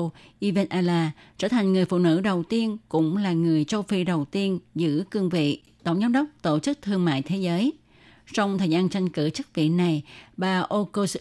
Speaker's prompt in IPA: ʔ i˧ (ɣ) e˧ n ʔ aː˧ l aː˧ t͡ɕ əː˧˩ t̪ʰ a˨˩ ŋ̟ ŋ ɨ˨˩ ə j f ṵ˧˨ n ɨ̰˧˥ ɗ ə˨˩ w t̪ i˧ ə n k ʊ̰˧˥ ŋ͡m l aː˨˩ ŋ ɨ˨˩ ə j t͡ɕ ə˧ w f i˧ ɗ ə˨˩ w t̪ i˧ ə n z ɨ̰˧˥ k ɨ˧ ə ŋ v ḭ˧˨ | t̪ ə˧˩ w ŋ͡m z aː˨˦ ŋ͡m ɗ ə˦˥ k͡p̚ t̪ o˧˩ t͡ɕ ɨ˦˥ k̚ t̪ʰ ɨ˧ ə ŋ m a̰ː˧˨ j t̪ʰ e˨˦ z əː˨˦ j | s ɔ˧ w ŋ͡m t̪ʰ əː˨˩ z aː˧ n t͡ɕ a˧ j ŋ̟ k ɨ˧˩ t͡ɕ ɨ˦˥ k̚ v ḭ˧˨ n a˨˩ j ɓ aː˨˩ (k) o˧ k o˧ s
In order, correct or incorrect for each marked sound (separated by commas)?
incorrect, incorrect